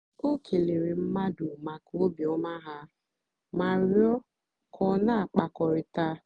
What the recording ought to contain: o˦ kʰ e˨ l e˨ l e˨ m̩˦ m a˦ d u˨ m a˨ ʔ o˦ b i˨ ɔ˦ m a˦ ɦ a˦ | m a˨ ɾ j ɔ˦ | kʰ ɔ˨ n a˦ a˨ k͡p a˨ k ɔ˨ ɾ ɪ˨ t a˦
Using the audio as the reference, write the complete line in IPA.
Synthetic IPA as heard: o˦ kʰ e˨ l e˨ ɾ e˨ m̩˦ m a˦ d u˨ m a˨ k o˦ b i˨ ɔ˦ m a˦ ɦ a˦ | m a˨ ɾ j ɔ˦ | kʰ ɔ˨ n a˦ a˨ k͡p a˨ k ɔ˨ ɾ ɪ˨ t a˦